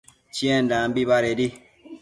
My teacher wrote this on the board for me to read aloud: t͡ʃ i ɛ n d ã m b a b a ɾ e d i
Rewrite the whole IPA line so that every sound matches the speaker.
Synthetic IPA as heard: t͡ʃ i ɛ n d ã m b i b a ɾ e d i

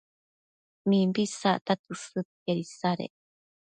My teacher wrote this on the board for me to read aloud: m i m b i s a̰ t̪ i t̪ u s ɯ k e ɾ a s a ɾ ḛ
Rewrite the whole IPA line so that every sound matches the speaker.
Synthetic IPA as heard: m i m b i s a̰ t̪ a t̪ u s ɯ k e ɾ i s a ɾ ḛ

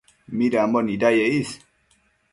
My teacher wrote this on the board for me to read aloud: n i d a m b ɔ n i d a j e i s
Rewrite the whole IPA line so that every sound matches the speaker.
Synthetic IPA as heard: m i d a m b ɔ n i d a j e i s

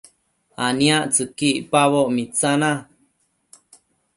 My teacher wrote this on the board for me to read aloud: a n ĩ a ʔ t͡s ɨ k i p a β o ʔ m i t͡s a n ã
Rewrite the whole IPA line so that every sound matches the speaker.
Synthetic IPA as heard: a n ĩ a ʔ t͡s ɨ k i p a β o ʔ m i t͡s a n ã

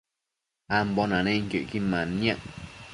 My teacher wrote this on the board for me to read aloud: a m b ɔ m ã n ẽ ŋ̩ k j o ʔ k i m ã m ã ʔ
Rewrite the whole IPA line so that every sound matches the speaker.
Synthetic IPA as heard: a m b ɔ n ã n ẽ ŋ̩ k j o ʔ k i m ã n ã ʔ

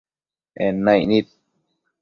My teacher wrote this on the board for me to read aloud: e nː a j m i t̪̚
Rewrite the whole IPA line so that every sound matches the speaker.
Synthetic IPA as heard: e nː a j n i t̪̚

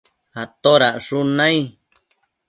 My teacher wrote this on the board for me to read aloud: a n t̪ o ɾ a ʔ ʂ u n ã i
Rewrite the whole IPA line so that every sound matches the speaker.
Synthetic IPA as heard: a t̪ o ɾ a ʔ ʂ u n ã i

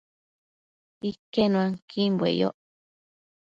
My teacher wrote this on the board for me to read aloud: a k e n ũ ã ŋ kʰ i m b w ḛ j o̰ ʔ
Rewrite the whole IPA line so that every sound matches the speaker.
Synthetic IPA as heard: i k e n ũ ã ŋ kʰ i m b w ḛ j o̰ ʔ

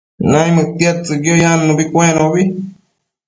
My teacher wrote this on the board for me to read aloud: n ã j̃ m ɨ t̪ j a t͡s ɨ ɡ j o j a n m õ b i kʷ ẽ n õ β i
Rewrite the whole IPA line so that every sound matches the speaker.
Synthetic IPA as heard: n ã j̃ m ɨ t̪ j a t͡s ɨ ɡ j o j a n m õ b i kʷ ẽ n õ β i

